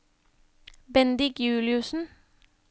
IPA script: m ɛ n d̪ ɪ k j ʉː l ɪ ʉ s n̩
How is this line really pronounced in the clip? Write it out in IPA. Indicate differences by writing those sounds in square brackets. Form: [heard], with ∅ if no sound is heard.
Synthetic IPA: [b] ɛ n d̪ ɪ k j ʉː l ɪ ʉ s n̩

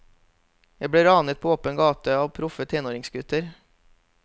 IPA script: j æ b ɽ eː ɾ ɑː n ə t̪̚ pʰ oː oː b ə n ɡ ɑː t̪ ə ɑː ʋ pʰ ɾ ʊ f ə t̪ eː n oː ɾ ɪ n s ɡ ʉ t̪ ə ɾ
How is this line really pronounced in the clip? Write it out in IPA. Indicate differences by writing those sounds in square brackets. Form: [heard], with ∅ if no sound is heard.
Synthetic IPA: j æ b ɽ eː ɾ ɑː n ə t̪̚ pʰ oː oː [p] ə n ɡ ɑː t̪ ə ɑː ʋ pʰ ɾ ʊ f ə [t̪ʰ] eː n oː ɾ ɪ [ŋ] s ɡ ʉ t̪ ə ɾ

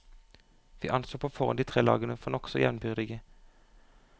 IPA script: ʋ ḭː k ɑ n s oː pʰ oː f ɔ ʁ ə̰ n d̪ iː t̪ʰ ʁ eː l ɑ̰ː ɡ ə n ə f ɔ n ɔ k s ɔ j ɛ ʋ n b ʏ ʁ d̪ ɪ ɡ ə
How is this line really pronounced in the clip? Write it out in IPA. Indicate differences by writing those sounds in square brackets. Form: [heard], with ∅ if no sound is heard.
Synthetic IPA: ʋ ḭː [ʔ] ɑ n s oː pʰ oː f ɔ ʁ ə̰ n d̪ iː t̪ʰ ʁ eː l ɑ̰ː ɡ ə n ə f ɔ n ɔ k s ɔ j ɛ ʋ n b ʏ ʁ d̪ ɪ ɡ ə

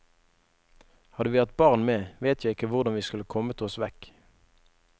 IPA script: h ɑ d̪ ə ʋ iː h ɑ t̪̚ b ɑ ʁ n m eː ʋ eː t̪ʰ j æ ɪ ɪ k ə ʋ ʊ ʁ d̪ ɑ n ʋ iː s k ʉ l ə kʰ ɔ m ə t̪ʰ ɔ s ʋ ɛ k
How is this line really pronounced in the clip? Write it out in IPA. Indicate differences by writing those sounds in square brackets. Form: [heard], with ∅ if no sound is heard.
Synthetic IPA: h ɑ d̪ ə ʋ iː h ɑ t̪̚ b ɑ ʁ n m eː ʋ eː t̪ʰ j æ ɪ ɪ k ə ʋ ʊ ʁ d̪ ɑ n ʋ iː s k ʉ l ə kʰ ɔ m ə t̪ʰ ɔ s ʋ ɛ k

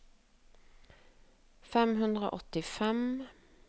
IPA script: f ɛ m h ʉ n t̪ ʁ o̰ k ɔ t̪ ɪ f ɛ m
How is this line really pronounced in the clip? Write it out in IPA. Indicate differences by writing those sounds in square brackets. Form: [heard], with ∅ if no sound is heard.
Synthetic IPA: f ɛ m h ʉ n [d̪] ʁ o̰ [ʔ] ɔ t̪ ɪ f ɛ m

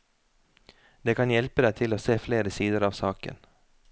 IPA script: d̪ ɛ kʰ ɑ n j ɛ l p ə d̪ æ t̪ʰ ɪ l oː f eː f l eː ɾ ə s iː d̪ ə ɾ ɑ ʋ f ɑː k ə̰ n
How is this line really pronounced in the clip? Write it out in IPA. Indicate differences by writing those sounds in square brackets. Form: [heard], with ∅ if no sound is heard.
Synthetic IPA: d̪ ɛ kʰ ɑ n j ɛ l p ə d̪ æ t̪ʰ ɪ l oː [s] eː f l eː ɾ ə s iː d̪ ə ɾ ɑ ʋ [s] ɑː k ə̰ n

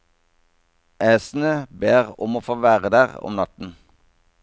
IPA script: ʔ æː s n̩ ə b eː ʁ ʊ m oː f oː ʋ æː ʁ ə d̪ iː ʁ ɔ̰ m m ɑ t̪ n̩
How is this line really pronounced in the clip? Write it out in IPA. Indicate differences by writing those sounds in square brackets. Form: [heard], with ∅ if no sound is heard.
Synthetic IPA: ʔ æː s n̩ ə b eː ʁ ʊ m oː f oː ʋ æː ʁ ə d̪ [æː] ʁ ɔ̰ m [n] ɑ t̪ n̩

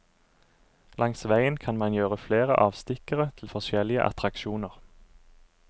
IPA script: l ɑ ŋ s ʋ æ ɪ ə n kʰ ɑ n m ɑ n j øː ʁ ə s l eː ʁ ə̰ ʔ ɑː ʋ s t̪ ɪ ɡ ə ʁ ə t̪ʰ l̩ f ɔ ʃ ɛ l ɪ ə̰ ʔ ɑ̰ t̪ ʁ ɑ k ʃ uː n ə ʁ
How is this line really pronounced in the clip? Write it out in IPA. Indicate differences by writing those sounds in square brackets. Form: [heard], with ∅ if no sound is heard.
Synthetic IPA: l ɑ ŋ s ʋ æ ɪ ə n kʰ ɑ n m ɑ n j øː ʁ ə [f] l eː ʁ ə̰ ʔ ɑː ʋ s t̪ ɪ [k] ə ʁ ə t̪ʰ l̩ f ɔ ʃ ɛ l ɪ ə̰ ʔ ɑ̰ t̪ ʁ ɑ k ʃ uː n ə ʁ

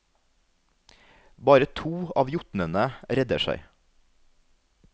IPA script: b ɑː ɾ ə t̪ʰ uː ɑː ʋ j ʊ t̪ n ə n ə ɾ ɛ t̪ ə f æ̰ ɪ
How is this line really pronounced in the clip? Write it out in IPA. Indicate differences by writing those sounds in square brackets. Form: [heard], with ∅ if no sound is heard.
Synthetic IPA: b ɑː ɾ ə t̪ʰ uː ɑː ʋ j ʊ t̪ n ə n ə ɾ ɛ [d̪] ə [ʃ] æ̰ ɪ

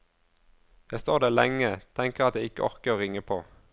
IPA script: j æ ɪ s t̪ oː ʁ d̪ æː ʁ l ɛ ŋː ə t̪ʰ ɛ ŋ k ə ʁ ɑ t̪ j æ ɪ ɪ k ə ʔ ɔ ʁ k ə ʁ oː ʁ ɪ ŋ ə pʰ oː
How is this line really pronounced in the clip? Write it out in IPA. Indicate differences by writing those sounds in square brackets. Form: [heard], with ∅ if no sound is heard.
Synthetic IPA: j æ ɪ s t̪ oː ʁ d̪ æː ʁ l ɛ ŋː ə t̪ʰ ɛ ŋ k ə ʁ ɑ t̪ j æ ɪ ɪ k ə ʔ ɔ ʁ k ə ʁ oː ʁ ɪ ŋ ə pʰ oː

